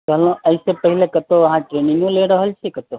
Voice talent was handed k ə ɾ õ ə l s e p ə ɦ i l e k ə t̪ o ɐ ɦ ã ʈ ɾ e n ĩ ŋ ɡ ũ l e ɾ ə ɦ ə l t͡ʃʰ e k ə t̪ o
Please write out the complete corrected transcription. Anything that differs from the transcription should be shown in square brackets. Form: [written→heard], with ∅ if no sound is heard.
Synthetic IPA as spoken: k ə [ɾ→l] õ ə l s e p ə ɦ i l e k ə t̪ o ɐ ɦ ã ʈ ɾ e n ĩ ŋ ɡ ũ l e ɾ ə ɦ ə l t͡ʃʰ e k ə t̪ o